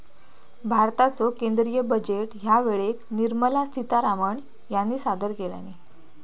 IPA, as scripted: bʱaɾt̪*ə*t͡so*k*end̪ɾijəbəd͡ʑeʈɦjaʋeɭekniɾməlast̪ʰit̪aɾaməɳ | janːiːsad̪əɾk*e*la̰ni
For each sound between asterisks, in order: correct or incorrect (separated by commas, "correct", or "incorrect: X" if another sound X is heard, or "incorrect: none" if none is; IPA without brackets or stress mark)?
incorrect: a, correct, correct